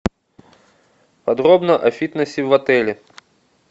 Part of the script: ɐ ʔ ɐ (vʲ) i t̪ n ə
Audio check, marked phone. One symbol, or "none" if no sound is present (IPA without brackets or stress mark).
fʲ